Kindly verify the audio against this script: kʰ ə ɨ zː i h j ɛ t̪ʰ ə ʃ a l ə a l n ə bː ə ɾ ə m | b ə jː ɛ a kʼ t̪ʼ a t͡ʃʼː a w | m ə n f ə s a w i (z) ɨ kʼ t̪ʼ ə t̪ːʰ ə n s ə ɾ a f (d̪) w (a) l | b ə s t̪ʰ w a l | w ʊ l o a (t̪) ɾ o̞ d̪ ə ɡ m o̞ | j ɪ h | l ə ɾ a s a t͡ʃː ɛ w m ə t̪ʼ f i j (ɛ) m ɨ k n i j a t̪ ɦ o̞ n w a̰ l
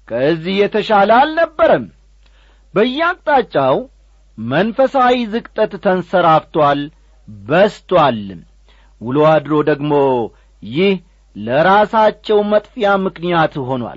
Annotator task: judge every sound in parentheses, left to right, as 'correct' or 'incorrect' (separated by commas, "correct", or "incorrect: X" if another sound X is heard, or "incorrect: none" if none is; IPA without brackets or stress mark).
correct, incorrect: t̪, correct, incorrect: d̪, incorrect: a